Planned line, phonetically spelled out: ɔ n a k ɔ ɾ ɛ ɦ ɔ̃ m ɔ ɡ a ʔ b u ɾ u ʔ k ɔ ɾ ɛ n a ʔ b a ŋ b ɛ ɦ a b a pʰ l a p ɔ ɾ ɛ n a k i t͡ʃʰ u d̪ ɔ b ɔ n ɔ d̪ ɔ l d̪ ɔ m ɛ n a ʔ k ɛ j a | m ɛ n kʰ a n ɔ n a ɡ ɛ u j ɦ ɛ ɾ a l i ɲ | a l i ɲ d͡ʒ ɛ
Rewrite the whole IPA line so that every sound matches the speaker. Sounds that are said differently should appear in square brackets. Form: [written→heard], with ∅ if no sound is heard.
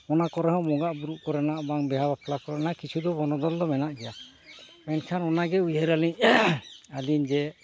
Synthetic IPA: ɔ n a k ɔ ɾ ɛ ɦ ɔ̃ m ɔ ɡ a ʔ b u ɾ u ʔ k ɔ ɾ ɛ n a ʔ b a ŋ b ɛ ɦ a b a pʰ l a [p→k] ɔ ɾ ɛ n a k i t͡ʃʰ u d̪ ɔ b ɔ n ɔ d̪ ɔ l d̪ ɔ m ɛ n a ʔ [k→ɡ] ɛ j a | m ɛ n kʰ a n ɔ n a ɡ ɛ u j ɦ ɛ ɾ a l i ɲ | a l i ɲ d͡ʒ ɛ

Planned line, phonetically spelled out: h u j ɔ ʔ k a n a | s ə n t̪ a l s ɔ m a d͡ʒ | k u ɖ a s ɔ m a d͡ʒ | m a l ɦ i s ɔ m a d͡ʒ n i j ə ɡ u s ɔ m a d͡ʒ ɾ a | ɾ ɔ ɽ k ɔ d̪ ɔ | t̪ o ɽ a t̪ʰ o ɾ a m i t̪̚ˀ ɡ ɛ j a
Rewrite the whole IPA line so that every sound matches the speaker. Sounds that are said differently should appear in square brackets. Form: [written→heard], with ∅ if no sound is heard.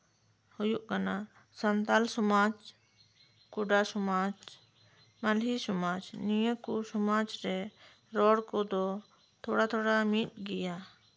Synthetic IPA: h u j [ɔ→u] ʔ k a n a | s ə n t̪ a l s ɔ m a d͡ʒ | k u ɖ a s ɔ m a d͡ʒ | m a l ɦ i s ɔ m a d͡ʒ n i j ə [ɡ→k] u s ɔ m a d͡ʒ ɾ [a→ɛ] | ɾ ɔ ɽ k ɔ d̪ ɔ | [t̪→t̪ʰ] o ɽ a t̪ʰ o [ɾ→ɽ] a m i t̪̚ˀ ɡ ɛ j a

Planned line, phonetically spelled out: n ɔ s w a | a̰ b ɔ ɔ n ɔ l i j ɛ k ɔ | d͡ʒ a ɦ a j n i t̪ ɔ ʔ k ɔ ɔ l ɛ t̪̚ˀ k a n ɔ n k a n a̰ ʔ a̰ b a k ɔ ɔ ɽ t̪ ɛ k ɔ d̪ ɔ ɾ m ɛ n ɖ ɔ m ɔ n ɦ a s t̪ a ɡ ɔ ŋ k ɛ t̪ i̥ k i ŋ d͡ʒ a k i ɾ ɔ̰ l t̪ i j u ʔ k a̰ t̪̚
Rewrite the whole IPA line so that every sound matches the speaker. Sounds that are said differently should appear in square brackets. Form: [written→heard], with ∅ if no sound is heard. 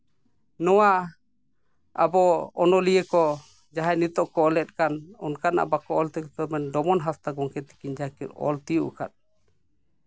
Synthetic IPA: n ɔ [s→∅] w a | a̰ b ɔ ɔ n ɔ l i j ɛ k ɔ | d͡ʒ a ɦ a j n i t̪ ɔ ʔ k ɔ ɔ l ɛ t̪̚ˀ k a n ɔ n k a n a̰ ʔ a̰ b a k ɔ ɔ [ɽ→l] t̪ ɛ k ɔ [d̪→t̪] ɔ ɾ m ɛ n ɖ ɔ m ɔ n ɦ a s t̪ a ɡ ɔ ŋ k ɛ t̪ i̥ k i [ŋ→ɲ] d͡ʒ a k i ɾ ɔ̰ l t̪ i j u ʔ k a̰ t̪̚

